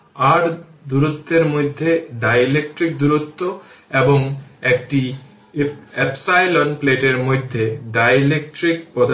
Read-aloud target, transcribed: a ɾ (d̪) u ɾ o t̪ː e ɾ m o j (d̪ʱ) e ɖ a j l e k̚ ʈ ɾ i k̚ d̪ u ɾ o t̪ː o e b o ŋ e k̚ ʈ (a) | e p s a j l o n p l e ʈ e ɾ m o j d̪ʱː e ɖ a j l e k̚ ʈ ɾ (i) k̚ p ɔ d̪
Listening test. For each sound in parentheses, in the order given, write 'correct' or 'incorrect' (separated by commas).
correct, incorrect, incorrect, correct